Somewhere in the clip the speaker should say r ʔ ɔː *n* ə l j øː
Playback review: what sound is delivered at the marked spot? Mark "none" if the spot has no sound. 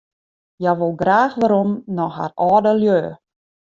d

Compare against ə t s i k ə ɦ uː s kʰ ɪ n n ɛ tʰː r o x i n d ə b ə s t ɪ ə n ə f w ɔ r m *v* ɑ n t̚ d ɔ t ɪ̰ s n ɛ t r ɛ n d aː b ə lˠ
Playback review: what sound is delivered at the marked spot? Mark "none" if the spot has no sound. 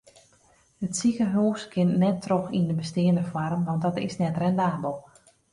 ʋ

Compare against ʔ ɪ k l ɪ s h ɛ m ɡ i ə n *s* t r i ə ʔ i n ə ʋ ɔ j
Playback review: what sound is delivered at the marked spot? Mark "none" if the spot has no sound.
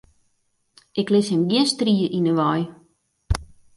s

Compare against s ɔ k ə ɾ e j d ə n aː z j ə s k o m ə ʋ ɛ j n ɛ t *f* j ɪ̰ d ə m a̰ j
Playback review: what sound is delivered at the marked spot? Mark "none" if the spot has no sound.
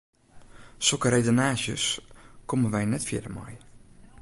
f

